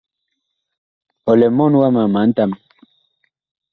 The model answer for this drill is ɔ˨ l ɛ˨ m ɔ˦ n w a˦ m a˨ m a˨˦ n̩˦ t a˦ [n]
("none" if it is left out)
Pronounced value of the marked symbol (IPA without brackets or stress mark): m